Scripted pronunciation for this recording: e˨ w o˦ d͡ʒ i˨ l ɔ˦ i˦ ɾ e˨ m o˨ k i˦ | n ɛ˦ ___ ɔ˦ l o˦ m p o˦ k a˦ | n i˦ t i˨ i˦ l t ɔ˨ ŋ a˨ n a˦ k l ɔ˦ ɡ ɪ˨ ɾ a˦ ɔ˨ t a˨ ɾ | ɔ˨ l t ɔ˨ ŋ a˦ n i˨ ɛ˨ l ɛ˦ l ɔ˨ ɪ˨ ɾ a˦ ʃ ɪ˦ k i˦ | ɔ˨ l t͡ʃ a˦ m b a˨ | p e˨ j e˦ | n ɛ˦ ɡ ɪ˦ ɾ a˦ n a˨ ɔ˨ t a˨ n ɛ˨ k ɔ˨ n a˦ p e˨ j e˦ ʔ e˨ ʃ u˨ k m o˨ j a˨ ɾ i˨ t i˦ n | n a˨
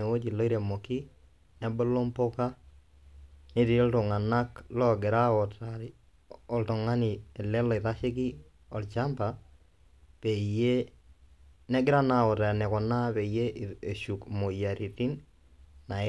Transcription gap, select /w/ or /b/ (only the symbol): b